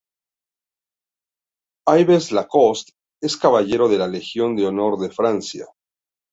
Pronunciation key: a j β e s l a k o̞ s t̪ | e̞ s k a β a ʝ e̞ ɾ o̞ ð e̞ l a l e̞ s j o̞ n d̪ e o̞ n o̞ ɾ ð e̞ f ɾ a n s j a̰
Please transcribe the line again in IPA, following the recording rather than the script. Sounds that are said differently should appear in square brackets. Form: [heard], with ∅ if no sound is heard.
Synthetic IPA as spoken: a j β e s l a k o̞ s t̪ | e̞ s k a β a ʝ e̞ ɾ o̞ ð e̞ l a l e̞ [x] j o̞ n d̪ e o̞ n o̞ ɾ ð e̞ f ɾ a n s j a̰